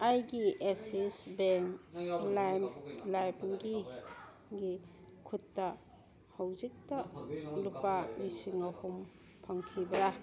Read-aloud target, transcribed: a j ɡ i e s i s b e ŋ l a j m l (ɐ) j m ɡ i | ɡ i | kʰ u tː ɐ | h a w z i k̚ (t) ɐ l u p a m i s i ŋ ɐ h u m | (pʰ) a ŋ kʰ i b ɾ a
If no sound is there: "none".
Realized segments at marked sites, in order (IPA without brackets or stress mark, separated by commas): a, t, pʰ